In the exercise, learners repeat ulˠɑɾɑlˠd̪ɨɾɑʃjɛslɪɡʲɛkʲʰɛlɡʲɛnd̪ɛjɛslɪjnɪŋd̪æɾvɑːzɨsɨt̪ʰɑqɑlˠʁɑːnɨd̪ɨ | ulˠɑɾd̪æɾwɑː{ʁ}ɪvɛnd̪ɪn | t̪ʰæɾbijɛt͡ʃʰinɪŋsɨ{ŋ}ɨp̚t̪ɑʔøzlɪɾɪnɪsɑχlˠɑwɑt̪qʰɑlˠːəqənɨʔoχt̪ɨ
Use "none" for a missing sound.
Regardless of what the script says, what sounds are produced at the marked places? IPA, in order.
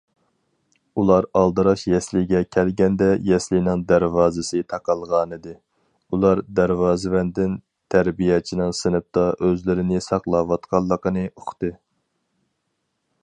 z, n

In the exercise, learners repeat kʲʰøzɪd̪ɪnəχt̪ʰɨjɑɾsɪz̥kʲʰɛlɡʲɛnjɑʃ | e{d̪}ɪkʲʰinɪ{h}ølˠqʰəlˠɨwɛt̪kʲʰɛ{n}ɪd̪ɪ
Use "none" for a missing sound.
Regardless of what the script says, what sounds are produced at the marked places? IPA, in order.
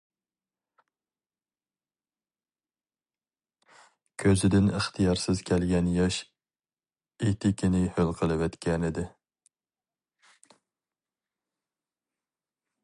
t̪, h, n

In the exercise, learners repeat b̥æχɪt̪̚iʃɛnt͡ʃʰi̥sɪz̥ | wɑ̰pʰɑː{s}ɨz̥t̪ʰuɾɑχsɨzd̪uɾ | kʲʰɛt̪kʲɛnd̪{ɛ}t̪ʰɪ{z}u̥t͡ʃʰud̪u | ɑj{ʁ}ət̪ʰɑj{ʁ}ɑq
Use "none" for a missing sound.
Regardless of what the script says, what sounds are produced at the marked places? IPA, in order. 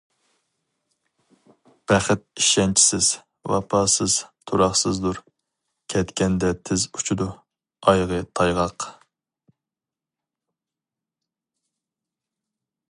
s, ɛ, z, ʁ, ʁ

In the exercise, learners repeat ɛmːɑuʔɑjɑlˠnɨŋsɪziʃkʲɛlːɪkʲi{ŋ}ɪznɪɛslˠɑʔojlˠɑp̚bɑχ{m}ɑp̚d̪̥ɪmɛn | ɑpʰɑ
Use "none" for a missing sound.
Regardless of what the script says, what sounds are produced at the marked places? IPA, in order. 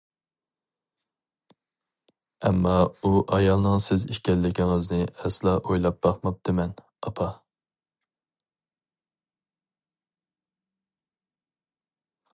ŋ, m

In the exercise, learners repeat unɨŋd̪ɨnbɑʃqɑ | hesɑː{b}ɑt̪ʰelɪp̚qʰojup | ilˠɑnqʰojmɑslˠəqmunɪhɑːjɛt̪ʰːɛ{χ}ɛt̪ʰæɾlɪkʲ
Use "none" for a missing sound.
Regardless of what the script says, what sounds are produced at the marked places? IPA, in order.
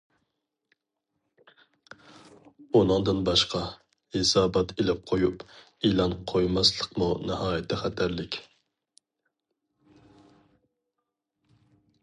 b, χ

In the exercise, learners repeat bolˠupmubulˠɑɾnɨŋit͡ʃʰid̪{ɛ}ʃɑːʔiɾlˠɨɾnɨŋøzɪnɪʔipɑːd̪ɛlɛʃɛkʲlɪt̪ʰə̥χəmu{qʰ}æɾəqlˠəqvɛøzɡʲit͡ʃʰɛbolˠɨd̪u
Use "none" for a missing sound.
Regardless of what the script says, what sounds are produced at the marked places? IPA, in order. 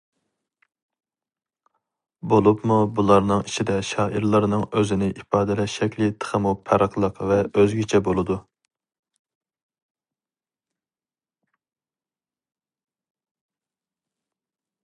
ɛ, pʰ

